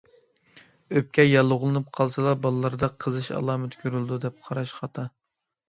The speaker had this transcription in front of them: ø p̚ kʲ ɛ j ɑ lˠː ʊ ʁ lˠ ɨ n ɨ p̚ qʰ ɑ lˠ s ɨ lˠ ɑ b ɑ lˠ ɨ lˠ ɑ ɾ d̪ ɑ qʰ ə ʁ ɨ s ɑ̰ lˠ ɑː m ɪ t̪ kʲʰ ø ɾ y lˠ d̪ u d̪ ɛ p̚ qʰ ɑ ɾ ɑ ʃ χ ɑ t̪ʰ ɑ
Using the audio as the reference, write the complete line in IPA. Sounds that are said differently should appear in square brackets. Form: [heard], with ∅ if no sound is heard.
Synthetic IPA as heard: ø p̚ kʲ ɛ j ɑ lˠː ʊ ʁ lˠ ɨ n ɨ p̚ qʰ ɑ lˠ s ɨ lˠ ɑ b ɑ lˠ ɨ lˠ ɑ ɾ d̪ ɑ qʰ ə [z] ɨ [ʃ] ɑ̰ lˠ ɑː m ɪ t̪ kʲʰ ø ɾ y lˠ d̪ u d̪ ɛ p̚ qʰ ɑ ɾ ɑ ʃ χ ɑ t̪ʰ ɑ

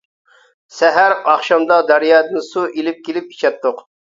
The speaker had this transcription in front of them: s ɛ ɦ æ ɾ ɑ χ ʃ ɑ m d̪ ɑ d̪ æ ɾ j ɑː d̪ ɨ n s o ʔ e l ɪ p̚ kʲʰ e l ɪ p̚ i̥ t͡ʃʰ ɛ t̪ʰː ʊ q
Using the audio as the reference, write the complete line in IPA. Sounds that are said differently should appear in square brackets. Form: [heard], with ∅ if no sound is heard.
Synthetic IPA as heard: s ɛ ɦ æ ɾ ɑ χ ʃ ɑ m d̪ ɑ d̪ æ ɾ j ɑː d̪ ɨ n s [u] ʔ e l ɪ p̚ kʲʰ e l ɪ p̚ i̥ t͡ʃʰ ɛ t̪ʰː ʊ q

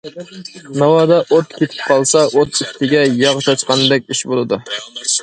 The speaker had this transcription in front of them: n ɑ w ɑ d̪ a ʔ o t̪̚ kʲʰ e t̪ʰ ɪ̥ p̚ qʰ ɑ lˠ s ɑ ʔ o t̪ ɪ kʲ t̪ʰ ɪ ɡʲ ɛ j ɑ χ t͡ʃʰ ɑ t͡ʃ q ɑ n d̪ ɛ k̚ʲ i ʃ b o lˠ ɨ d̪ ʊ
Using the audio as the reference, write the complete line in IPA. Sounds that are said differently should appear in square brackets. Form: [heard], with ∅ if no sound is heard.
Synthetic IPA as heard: n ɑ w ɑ d̪ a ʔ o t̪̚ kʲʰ e t̪ʰ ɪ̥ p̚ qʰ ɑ lˠ s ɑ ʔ o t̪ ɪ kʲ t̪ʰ ɪ ɡʲ ɛ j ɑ [ʁ] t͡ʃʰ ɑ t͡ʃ q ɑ n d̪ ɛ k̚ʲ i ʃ b o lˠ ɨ d̪ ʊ

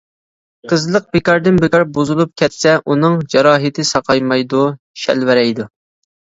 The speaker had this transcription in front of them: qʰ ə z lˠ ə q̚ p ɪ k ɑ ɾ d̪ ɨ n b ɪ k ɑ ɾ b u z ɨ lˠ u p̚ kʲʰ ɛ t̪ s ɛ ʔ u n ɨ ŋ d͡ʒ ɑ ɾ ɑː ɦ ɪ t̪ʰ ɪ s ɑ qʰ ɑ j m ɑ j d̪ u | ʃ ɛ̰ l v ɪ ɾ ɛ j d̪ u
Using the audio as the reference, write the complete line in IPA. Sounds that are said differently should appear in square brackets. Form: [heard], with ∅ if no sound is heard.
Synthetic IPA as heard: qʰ ə z lˠ ə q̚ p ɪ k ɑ ɾ d̪ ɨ n b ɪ k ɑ ɾ b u z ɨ lˠ u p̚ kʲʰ ɛ t̪ s ɛ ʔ u n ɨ ŋ d͡ʒ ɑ ɾ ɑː ɦ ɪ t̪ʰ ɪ s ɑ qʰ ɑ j m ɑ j d̪ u | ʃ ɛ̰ l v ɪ ɾ ɛ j d̪ u

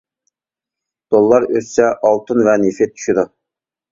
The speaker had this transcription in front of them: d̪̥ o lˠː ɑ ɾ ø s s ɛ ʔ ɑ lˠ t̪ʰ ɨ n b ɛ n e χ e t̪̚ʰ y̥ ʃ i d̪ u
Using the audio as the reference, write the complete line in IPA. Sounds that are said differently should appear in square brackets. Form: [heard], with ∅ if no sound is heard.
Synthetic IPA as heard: d̪̥ o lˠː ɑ ɾ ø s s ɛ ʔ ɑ lˠ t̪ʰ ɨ n [v] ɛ n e [f] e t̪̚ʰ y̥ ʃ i d̪ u

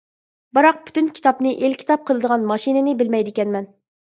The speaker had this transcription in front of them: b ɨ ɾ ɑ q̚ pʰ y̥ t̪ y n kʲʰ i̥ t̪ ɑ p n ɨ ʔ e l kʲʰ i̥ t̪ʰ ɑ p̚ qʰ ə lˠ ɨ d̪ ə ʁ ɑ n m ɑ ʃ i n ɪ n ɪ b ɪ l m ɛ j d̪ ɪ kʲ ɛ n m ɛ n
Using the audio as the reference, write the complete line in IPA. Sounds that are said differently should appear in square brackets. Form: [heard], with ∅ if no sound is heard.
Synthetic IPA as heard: b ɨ ɾ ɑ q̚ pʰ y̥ t̪ y n kʲʰ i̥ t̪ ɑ p n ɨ ʔ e l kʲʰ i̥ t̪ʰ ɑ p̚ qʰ ə lˠ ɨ d̪ ə ʁ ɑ n m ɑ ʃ i n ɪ n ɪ b ɪ l m ɛ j d̪ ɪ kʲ ɛ n m ɛ n

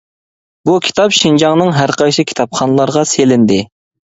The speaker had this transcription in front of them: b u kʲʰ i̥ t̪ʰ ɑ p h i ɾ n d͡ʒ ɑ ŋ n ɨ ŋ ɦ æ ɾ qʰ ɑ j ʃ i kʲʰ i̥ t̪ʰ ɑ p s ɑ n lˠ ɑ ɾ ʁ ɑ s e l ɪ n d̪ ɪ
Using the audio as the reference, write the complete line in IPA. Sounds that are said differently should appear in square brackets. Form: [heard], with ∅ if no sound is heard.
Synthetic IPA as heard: b u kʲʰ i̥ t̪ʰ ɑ p [ʃ] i [∅] n d͡ʒ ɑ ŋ n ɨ ŋ ɦ æ ɾ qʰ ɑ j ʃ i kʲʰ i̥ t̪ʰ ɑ p [χ] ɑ n lˠ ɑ ɾ ʁ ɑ s e l ɪ n d̪ ɪ

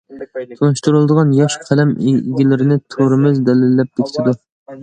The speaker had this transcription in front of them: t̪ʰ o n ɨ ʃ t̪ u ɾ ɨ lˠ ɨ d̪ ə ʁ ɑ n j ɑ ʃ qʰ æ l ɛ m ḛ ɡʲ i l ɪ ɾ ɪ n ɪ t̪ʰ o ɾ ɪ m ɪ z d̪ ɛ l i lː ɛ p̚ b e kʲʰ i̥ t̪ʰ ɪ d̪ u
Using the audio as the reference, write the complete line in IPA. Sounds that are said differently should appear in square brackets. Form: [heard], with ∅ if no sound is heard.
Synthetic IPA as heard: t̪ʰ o n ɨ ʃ t̪ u ɾ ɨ lˠ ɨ d̪ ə ʁ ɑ n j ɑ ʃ qʰ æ l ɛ m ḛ ɡʲ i l ɪ ɾ ɪ n ɪ t̪ʰ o ɾ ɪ m ɪ z d̪ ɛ l [ɪ] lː ɛ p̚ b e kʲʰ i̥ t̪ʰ ɪ d̪ u

